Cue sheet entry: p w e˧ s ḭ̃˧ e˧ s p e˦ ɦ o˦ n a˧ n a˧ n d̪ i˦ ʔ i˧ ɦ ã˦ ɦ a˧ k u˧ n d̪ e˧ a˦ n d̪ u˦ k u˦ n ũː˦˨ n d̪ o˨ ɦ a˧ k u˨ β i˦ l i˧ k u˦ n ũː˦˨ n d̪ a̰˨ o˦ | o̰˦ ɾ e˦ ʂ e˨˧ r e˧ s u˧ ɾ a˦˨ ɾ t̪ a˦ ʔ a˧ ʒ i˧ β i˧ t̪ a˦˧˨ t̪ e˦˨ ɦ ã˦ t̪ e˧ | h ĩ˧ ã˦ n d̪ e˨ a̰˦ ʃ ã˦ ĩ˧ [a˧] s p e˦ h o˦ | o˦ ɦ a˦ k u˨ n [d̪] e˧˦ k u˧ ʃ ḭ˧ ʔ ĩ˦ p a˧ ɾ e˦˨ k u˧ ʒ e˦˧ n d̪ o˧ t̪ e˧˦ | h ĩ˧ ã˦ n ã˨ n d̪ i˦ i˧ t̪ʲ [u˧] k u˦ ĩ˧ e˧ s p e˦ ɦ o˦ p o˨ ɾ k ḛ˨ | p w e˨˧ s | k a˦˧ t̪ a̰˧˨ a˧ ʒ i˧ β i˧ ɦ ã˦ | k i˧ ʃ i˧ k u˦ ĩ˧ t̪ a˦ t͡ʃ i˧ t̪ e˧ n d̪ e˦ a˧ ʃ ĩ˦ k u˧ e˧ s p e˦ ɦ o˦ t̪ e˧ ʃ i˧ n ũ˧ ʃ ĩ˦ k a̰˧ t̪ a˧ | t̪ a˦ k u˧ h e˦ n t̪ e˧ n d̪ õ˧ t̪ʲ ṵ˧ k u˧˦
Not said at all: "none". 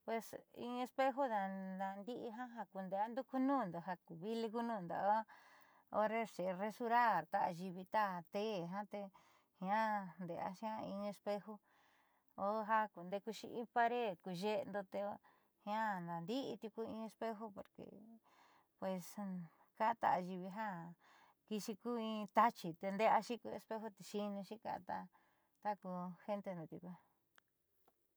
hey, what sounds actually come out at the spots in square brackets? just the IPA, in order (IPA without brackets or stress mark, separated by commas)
e˧, d̪, u˧